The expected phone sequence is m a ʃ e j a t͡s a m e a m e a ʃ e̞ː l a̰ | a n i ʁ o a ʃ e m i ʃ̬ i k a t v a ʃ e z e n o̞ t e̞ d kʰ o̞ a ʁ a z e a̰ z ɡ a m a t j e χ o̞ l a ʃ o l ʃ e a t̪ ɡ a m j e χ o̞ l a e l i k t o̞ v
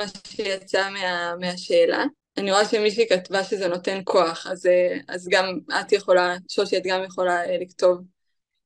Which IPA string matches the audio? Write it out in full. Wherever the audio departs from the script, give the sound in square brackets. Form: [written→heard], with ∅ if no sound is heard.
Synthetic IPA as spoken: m a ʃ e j a t͡s a m e a m e a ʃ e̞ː l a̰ | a n i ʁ o a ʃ e m i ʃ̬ i k a t v a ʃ e z e n o̞ t e̞ [d→n] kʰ o̞ a [ʁ→χ] a z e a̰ z ɡ a m a t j e χ o̞ l a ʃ o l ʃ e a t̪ ɡ a m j e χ o̞ l a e l i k t o̞ v